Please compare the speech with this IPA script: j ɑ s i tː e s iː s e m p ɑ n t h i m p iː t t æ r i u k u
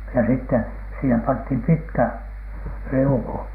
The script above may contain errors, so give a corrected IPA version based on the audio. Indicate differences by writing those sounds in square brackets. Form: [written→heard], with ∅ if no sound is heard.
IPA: j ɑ s i tː e s iː [s→h] e m p ɑ n t h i m p [iː→i] t [t→k] æ r i u k u

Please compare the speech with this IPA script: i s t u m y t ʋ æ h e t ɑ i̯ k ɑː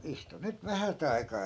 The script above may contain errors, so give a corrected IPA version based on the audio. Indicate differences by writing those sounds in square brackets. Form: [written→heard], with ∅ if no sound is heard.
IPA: i s t u [m→n] y t ʋ æ h [e→æ] t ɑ i̯ k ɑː

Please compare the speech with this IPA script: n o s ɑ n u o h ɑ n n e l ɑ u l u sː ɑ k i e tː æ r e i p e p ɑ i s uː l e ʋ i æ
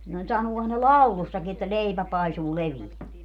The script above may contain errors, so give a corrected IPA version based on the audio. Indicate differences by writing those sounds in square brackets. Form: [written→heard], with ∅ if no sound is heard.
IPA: n o s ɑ n u o h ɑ n n e l ɑ u l u sː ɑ k i e tː æ [r→l] e i p [e→æ] p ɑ i s uː l e ʋ i æ

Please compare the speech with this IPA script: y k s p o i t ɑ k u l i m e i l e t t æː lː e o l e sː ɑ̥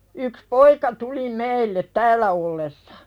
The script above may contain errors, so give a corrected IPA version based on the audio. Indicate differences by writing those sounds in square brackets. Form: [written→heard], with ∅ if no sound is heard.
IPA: y k s p o i [t→k] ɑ [k→t] u l i m e i [l→lː] e t t æː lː [e→æ] o [l→lː] e sː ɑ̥

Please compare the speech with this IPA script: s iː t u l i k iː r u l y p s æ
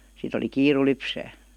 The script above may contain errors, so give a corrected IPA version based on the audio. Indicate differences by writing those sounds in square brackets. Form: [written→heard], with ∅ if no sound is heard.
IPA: s [iː→i] t [u→o] l i k iː r u l y p s [æ→æː]

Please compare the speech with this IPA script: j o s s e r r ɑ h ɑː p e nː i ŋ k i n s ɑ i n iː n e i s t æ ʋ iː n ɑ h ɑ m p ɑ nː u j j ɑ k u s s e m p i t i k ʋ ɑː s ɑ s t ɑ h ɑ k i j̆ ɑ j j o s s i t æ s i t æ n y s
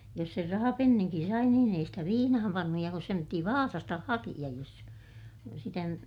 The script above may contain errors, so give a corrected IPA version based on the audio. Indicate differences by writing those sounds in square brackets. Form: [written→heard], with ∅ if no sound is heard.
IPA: j o s s e r r ɑ h [ɑː→ɑ] p e nː i ŋ k i n s ɑ i n iː n e i s t æ ʋ iː n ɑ h ɑ m p ɑ nː u j j ɑ k u s s e m p i t i [k→∅] ʋ ɑː s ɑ s t ɑ h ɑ k i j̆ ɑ j j o s s i t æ s i t æ n y [s→t]

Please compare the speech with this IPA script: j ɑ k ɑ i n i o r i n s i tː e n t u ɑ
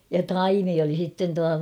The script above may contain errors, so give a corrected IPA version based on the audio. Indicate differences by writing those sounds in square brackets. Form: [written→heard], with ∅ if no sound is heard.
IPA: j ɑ [k→t] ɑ i [n→m] i o [r→l] i [n→∅] s i tː e n t u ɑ

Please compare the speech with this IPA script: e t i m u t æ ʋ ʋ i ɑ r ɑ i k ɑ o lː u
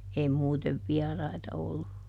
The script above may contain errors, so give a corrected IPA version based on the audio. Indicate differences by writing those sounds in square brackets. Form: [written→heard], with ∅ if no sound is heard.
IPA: e [t→∅] i m [u→uː] t [æ→e] ʋ ʋ i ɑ r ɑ i [k→t] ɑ o lː u

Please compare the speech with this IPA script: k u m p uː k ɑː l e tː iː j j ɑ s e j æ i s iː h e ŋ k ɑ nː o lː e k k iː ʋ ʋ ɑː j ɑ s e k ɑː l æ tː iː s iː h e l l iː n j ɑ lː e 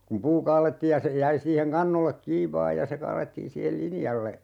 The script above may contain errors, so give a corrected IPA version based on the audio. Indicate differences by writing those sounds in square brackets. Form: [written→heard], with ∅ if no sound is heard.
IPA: k u m p uː k ɑː l e tː iː j j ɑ s e j æ i s iː h e ŋ k ɑ nː o lː e k k iː ʋ ʋ ɑː j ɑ s e k ɑː l [æ→e] tː iː s iː h e l l [iː→i] n j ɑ lː e

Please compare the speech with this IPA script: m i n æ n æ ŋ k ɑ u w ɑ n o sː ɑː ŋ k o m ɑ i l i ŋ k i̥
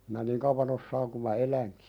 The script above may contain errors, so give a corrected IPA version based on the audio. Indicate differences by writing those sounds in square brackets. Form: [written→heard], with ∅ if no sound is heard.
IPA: m i n æ n [æ→i] ŋ k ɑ u [w→ʋ] ɑ n o sː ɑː ŋ k [o→u] m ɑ [i→e] l [i→æ] ŋ k i̥

